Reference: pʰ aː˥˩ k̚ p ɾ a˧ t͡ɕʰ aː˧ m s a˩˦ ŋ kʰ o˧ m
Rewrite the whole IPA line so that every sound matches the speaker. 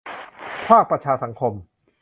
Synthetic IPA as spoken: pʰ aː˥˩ k̚ p ɾ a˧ t͡ɕʰ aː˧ s a˩˦ ŋ kʰ o˧ m